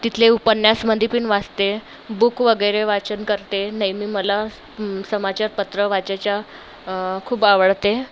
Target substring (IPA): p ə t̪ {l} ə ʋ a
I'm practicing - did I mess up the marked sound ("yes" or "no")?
yes